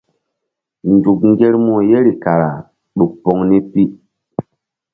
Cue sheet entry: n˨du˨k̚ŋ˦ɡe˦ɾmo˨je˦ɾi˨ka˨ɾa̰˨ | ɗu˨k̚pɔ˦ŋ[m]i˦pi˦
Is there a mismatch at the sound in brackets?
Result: yes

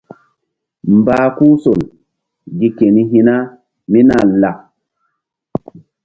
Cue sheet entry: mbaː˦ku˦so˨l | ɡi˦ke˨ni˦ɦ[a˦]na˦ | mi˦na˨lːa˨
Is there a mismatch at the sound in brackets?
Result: yes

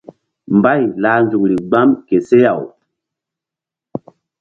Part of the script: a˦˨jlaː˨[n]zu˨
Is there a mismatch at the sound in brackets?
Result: no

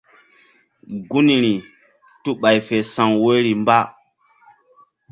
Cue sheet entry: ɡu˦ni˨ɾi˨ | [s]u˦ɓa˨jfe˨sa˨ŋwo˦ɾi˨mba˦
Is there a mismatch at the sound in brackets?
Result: yes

